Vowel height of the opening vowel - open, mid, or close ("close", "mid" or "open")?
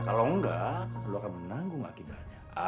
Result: open